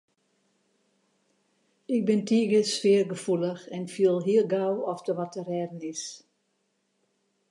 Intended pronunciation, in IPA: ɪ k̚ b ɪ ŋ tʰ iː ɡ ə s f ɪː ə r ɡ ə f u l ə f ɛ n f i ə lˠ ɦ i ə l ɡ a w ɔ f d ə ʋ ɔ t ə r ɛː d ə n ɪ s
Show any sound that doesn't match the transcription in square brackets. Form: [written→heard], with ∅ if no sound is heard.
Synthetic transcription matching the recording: ɪ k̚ b ɪ [ŋ→n] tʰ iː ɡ ə s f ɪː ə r ɡ ə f u l ə [f→x] ɛ n f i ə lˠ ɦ i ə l ɡ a w ɔ f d ə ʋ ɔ t ə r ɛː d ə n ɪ s